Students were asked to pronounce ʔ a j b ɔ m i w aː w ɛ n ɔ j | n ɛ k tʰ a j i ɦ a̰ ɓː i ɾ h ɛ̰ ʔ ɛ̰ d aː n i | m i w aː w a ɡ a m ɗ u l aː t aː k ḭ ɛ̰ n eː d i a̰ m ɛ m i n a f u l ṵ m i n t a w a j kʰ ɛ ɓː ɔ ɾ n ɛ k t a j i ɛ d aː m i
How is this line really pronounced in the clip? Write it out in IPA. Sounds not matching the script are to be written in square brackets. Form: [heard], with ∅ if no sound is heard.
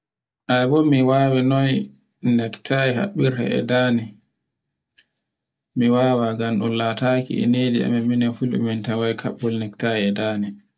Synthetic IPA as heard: ʔ a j b ɔ m i w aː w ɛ n ɔ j | n ɛ k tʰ a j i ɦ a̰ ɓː i ɾ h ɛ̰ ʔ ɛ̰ d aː n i | m i w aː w a ɡ a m ɗ u l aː t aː k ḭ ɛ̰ n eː d i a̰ m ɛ m i n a f u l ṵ m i n t a w a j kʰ [a] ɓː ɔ [l] n ɛ k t a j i ɛ d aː [n] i